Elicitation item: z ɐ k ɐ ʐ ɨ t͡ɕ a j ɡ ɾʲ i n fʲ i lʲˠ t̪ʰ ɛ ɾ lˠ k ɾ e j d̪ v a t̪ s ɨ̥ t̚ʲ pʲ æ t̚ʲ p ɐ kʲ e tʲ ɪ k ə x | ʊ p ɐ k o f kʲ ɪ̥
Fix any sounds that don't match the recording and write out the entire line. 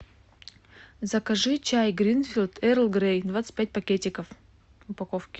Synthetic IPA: z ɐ k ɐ ʐ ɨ t͡ɕ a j ɡ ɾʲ i n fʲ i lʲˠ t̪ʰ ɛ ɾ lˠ ɡ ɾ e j d̪ v a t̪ s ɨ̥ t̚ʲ pʲ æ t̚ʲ p ɐ kʲ e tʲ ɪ k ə f | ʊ p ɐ k o f kʲ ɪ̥